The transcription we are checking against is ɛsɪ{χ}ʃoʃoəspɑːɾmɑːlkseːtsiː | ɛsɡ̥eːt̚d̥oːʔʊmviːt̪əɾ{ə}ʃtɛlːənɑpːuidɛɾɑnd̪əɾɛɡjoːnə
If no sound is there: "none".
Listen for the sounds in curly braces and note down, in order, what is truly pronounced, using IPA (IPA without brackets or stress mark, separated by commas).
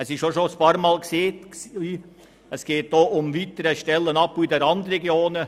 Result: ʃ, ə